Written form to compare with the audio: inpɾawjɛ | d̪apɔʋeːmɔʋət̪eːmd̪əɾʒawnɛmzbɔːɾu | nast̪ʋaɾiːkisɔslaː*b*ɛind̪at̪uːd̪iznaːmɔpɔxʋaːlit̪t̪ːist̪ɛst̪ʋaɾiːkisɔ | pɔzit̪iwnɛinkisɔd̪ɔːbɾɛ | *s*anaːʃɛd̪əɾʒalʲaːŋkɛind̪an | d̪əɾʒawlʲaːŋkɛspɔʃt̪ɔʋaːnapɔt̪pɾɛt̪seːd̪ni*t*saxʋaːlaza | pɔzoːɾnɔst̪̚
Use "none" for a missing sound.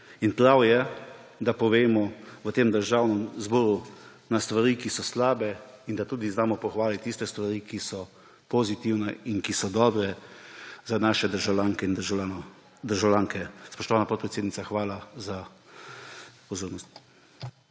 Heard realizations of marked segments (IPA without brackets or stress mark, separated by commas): b, z, t